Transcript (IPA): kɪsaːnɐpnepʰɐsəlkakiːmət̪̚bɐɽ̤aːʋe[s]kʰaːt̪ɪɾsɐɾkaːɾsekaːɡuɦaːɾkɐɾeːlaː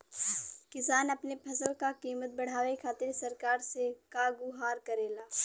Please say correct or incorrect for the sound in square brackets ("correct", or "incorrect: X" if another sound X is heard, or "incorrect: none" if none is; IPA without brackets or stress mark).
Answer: incorrect: none